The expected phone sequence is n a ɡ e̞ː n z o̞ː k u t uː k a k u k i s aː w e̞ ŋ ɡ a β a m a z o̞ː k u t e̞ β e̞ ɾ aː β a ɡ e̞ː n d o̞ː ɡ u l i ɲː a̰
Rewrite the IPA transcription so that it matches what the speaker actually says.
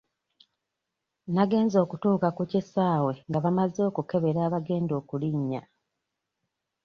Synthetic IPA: n a ɡ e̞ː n z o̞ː k u t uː k a k u c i s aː w e̞ ŋ ɡ a β a m a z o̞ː k u k e̞ β e̞ ɾ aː β a ɡ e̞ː n d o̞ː k u l i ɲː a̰

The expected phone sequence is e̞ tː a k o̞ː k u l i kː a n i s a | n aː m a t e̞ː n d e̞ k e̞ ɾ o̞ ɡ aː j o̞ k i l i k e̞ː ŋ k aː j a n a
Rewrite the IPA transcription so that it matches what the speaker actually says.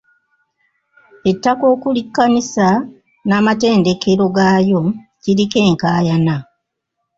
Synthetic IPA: e̞ tː a k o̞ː k u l i kː a n i s a | n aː m a t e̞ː n d e̞ k e̞ ɾ o̞ ɡ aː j o̞ c i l i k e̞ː ŋ k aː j a n a

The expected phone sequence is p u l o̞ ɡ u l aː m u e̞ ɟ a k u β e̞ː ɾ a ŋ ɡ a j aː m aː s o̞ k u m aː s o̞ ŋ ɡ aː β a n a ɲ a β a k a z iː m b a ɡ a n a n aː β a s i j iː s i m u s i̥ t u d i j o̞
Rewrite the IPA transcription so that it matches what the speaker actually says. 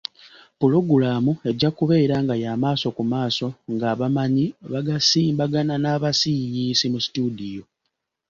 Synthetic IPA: p u l o̞ ɡ u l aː m u e̞ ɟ a k u β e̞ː ɾ a ŋ ɡ a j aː m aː s o̞ k u m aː s o̞ ŋ ɡ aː β a m a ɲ i β a ɡ a s iː m b a ɡ a n a n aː β a s i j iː s i m u s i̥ t u d i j o̞

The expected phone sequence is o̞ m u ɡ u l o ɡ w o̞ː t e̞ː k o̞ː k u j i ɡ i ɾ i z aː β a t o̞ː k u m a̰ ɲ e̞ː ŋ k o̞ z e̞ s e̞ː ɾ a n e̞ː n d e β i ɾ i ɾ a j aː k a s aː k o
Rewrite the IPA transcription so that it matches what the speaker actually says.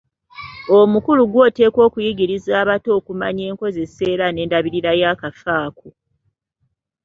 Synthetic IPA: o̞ m u k u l u ɡ w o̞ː t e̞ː k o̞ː k u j i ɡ i ɾ i z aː β a t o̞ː k u m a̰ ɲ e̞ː ŋ k o̞ z e̞ s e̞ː ɾ a n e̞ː n d a β i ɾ i ɾ a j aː k a f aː k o

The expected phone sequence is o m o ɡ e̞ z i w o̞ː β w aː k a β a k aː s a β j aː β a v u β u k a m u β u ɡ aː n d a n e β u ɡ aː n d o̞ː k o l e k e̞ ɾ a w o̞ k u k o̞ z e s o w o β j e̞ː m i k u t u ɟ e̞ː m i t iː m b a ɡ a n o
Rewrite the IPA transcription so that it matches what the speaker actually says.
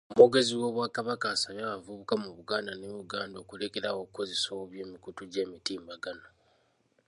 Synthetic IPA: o m o ɡ e̞ z i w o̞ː β w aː k a β a k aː s a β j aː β a v u β u k a m u β u ɡ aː n d a n e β u ɡ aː n d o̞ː k u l e k e̞ ɾ a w o̞ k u k o̞ z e s o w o β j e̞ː m i k u t u ɟ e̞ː m i t iː m b a ɡ a n o

